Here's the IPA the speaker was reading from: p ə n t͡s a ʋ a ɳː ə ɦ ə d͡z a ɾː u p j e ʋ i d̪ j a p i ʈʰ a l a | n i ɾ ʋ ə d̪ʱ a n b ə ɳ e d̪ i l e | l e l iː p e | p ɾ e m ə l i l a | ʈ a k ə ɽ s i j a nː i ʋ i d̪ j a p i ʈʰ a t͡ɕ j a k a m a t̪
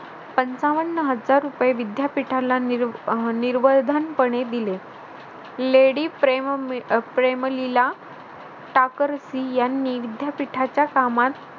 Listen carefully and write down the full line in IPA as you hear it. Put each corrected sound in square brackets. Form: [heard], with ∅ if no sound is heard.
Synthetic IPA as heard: p ə n t͡s a ʋ [ə] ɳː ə ɦ ə d͡z a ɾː u p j e ʋ i d̪ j a p i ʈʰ a l a | n i ɾ ʋ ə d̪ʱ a n [p] ə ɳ e d̪ i l e | l e [ɽ] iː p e | p ɾ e m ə l i l a | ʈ a k ə [ɾ] s i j a nː i ʋ i d̪ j a p i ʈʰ a t͡ɕ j a k a m a t̪